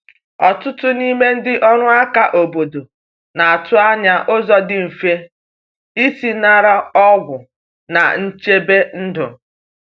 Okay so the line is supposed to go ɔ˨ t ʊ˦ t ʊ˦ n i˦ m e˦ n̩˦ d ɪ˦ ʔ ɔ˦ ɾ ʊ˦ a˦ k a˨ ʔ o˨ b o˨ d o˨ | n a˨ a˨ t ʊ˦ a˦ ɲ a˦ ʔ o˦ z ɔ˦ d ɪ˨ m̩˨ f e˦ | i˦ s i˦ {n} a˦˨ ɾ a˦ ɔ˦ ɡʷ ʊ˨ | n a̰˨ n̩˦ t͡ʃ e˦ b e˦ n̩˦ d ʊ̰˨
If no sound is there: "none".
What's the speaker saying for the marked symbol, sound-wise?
n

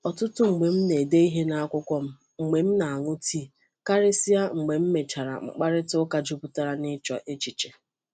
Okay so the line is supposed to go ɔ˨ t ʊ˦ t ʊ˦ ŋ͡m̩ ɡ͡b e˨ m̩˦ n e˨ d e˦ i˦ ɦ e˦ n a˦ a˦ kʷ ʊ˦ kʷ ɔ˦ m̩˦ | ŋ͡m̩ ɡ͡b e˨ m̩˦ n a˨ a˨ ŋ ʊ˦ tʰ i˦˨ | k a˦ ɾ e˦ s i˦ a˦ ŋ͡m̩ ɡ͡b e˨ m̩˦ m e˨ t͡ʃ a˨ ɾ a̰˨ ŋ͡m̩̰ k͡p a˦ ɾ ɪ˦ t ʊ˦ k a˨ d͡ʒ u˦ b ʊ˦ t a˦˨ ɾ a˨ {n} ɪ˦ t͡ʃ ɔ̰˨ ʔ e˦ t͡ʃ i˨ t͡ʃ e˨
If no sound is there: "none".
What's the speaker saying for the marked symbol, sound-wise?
n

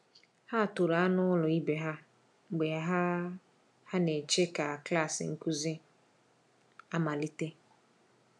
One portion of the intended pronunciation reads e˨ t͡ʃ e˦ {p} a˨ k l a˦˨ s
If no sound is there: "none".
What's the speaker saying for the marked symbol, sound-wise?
k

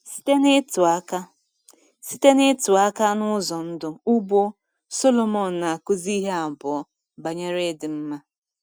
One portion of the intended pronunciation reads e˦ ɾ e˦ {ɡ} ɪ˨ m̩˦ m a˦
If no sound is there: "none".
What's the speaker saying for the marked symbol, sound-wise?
d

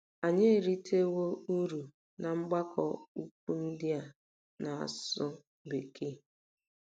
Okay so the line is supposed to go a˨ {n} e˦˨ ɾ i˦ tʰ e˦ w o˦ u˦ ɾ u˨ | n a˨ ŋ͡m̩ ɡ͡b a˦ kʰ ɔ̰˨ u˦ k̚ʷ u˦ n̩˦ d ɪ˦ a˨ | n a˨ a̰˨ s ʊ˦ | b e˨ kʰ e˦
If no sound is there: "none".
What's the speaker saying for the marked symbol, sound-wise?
ɲ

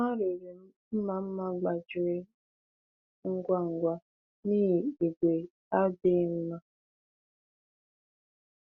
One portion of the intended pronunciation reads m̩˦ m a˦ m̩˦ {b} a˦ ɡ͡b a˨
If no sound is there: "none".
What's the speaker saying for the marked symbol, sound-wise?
m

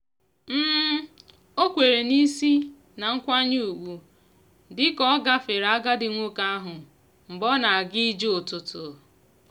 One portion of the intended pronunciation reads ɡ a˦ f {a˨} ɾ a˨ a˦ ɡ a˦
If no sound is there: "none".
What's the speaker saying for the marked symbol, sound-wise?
e˨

